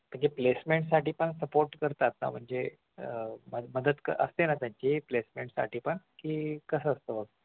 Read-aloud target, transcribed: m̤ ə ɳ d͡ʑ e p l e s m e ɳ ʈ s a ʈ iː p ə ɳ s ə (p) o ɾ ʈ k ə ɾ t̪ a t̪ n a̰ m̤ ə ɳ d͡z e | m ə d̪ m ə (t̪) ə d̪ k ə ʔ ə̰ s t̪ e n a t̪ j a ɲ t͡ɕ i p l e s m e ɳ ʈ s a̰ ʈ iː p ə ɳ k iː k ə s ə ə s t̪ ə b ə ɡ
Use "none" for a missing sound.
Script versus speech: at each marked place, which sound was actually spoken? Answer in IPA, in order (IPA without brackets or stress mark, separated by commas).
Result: p, d̪